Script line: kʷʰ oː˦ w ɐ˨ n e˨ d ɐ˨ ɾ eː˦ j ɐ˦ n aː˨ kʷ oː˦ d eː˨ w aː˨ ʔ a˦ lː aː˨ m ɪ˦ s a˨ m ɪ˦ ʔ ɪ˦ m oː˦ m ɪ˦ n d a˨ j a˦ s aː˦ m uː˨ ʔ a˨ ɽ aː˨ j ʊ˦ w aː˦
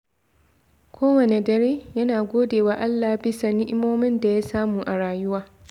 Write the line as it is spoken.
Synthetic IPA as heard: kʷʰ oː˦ w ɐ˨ n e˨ d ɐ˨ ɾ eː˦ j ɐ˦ n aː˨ ɡʷ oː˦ d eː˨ w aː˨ ʔ a˦ lː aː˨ b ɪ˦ s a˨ n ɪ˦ ʔ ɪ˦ m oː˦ m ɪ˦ n d a˨ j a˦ s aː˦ m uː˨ ʔ a˨ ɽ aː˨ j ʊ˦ w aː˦